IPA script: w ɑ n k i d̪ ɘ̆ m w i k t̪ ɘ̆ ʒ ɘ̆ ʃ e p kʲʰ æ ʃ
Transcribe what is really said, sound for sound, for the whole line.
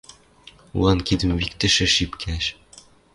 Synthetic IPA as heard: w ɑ n k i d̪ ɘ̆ m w i k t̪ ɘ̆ ʃ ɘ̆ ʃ i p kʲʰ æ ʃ

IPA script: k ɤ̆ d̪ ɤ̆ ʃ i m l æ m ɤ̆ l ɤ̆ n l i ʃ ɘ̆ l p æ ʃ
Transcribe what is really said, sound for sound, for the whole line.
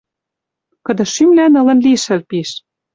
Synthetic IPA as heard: k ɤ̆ d̪ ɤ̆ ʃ y m l æ n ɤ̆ l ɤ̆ n l i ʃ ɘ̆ l p i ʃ

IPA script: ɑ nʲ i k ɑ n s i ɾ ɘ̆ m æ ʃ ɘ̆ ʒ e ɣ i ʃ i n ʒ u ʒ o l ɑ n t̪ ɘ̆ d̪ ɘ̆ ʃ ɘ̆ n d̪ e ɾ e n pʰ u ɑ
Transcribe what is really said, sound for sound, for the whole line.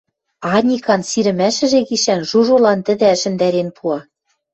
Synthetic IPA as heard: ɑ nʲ i k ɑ n s i ɾ ɘ̆ m æ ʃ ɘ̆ ʒ e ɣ i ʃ æ n ʒ u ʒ o l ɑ n t̪ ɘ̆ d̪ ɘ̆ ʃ ɘ̆ n d̪ æ ɾ e n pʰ u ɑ

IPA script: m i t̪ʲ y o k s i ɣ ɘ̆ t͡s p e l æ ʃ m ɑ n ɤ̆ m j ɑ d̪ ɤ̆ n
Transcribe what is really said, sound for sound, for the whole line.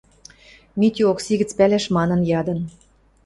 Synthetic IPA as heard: m i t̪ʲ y o k s i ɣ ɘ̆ t͡s p æ l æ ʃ m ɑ n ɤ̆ n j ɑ d̪ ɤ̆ n

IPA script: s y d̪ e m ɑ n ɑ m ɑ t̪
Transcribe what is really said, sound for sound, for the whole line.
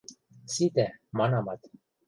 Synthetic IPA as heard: s i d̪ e m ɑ n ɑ m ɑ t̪

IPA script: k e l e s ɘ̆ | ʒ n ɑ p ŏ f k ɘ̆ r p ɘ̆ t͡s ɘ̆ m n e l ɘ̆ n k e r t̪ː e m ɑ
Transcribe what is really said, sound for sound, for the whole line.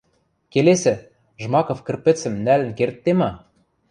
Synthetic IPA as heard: k e l e s ɘ̆ | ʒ m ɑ k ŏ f k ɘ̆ r p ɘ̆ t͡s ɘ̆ m n æ l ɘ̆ n k e r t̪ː e m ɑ

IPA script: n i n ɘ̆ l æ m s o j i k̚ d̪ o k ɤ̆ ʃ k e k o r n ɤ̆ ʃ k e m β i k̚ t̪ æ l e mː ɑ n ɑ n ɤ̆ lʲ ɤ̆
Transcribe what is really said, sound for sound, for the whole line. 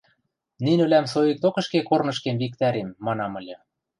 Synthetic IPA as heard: n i n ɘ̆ l æ m s o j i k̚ t̪ o k ɤ̆ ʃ k e k o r n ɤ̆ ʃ k e m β i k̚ t̪ æ ɾ e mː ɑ n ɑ m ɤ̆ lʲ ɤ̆

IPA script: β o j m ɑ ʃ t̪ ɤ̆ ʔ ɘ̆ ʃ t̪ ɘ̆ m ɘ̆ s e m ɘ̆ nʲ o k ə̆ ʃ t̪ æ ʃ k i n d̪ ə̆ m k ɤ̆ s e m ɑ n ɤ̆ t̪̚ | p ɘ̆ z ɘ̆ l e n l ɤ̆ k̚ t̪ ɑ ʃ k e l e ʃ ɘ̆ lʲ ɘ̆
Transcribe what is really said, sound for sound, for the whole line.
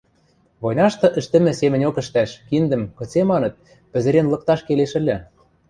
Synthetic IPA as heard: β o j n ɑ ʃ t̪ ɤ̆ ʔ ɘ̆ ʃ t̪ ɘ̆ m ɘ̆ s e m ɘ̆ nʲ o k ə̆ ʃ t̪ æ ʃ k i n d̪ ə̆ m k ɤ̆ t͡s e m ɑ n ɤ̆ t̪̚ | p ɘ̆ z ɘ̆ ɾ e n l ɤ̆ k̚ t̪ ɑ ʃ k e l e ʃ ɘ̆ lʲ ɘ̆

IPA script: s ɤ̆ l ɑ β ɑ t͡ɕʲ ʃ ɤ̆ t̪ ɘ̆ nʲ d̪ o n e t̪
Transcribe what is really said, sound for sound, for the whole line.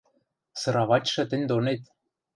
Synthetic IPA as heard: s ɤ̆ ɾ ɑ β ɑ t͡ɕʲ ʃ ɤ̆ t̪ ɘ̆ nʲ d̪ o n e t̪

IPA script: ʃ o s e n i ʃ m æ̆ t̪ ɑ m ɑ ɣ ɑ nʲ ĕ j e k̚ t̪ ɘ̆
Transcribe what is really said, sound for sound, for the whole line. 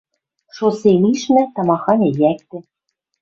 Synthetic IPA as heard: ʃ o s e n i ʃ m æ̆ t̪ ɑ m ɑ x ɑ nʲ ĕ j æ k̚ t̪ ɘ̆

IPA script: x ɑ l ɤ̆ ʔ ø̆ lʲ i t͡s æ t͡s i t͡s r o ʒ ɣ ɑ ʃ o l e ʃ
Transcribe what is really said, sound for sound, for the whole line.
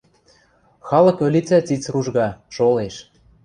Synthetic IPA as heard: x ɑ l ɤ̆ k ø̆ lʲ i t͡s æ t͡s i t͡s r u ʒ ɣ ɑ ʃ o l e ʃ

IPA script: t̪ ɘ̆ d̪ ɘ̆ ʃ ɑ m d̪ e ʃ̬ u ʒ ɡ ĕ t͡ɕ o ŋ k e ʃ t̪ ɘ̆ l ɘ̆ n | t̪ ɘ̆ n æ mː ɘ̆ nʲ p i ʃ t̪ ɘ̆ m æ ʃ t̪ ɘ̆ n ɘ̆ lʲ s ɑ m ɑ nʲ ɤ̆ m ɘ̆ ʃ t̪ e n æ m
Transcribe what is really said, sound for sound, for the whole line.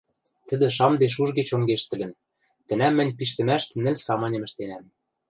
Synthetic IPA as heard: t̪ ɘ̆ d̪ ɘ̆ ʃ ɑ m d̪ e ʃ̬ u ʒ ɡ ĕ t͡ɕ o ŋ ɡ e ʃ t̪ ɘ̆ l ɘ̆ n | t̪ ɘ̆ n æ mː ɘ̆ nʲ p i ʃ t̪ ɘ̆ m æ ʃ t̪ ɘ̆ n ɘ̆ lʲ s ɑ m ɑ nʲ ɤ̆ m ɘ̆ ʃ t̪ e n æ m

